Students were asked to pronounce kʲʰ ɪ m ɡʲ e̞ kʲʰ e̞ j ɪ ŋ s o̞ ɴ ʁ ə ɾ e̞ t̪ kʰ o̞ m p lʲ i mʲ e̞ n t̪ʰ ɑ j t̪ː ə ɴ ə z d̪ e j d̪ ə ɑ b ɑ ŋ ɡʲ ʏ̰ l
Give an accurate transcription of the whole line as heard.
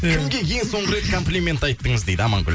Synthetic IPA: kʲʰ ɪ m ɡʲ e̞ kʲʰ e̞ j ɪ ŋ s o̞ ɴ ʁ ə ɾ e̞ t̪ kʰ o̞ m p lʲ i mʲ e̞ n t̪ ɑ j t̪ː ə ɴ ə z d̪ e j d̪ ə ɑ m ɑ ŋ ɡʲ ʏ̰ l